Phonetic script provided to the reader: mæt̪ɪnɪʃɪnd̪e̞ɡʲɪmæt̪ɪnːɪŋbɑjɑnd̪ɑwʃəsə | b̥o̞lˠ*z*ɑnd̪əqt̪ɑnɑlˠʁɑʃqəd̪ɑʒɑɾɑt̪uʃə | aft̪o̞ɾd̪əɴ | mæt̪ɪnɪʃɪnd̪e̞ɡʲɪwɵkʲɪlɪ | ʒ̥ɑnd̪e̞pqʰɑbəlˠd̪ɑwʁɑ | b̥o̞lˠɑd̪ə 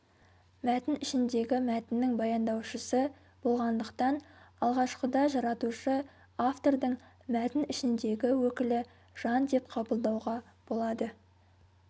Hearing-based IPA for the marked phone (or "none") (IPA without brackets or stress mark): ʁ